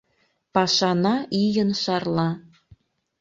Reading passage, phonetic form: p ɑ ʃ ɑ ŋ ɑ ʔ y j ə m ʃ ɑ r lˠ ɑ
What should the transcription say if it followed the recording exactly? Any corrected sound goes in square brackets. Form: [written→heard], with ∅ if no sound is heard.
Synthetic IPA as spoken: p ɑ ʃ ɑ [ŋ→n] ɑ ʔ [y→i] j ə [m→n] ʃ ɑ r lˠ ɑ